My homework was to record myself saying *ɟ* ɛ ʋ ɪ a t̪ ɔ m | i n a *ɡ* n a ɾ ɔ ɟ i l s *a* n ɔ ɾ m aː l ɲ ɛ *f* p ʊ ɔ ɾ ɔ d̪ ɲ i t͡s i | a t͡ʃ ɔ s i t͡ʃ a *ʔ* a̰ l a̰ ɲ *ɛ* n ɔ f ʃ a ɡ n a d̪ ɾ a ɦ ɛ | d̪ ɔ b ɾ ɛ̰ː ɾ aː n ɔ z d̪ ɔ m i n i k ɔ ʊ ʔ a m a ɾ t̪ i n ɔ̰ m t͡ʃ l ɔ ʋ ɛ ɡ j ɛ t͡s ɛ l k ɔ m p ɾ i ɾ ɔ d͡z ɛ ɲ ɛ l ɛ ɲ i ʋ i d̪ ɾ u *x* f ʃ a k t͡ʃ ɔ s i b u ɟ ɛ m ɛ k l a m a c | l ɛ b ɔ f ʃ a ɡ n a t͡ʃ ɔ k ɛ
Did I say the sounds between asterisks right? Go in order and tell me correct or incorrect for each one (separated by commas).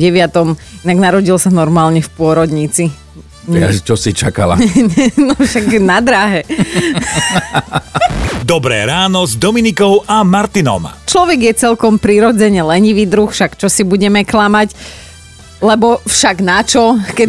correct, correct, correct, correct, incorrect, correct, correct